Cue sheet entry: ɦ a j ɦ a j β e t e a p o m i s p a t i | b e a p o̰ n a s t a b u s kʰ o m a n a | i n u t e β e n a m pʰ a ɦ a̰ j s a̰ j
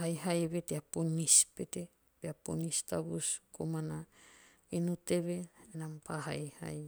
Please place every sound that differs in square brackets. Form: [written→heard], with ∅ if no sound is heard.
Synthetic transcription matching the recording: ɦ a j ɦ a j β e t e a p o [m→n] i s p [a→e] t [i→e] | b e a p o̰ n [a→i] s t a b u s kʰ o m a n a | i n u t e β e n a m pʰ a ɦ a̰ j [s→h] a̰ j